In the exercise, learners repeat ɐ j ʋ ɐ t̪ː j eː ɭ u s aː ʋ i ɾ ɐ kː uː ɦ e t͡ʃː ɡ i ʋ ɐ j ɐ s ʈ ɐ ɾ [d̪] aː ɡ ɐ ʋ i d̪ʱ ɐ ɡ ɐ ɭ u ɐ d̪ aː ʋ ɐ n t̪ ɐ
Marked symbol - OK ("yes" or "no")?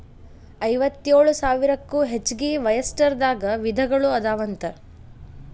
yes